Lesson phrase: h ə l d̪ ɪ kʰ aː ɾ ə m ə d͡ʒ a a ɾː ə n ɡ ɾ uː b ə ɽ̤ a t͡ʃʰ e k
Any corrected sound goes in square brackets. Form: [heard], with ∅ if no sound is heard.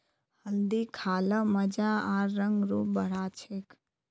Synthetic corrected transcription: h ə l d̪ [i] kʰ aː [l] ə m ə d͡ʒ a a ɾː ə [ŋ] ɡ ɾ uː b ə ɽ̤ a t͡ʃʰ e k